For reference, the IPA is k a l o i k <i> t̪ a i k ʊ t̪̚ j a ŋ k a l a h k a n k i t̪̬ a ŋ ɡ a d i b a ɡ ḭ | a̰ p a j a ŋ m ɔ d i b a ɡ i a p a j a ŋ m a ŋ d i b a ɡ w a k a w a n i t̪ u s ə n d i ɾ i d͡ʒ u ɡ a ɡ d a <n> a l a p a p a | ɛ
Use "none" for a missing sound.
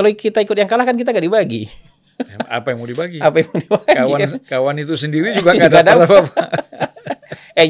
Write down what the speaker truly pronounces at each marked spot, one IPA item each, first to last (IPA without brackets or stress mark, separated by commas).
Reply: i, d